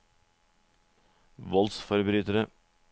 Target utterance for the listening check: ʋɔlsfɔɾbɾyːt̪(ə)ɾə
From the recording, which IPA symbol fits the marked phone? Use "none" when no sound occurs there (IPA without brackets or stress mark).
ə